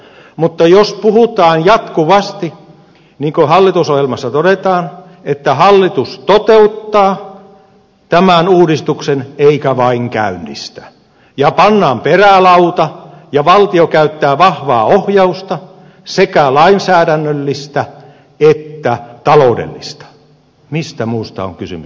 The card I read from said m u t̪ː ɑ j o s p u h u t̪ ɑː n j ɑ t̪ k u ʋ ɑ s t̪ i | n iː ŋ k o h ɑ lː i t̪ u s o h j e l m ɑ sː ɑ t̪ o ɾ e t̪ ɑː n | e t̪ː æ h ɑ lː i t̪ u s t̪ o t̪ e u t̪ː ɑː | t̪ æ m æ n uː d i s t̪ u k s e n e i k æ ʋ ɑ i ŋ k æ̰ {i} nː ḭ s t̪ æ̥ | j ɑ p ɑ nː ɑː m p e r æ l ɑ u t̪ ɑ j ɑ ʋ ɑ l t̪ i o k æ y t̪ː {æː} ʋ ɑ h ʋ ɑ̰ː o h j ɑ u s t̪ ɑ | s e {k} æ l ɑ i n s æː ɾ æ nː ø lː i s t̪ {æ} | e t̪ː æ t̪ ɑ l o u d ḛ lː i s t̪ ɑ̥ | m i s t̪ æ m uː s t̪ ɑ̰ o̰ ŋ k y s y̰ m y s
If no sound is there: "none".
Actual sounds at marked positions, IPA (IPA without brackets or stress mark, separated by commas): y, æː, k, æ